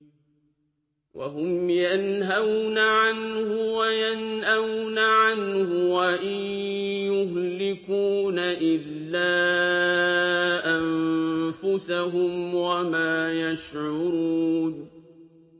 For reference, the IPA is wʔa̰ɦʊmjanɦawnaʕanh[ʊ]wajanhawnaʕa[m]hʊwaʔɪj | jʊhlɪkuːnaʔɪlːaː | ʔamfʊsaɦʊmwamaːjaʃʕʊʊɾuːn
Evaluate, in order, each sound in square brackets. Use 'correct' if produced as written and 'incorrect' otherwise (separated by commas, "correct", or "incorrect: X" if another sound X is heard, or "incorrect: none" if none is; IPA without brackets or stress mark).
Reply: correct, incorrect: n